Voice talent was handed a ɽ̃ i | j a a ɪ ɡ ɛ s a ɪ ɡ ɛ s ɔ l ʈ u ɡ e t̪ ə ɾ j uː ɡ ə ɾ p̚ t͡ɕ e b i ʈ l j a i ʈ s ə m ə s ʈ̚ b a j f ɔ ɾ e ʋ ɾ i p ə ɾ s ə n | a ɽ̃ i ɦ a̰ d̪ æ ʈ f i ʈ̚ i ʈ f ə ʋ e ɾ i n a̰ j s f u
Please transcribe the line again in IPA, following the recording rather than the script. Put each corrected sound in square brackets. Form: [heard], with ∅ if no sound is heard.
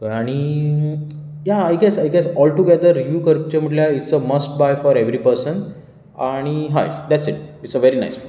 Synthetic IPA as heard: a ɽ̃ i | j a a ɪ ɡ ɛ s a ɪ ɡ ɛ s ɔ l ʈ u ɡ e [d̪] ə ɾ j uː [k] ə ɾ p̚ t͡ɕ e [m] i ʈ l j a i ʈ s ə m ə s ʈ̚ b a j f ɔ ɾ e ʋ ɾ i p ə ɾ s ə n | a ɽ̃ i ɦ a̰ d̪ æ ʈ [s] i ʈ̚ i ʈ [s] ə ʋ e ɾ i n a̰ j s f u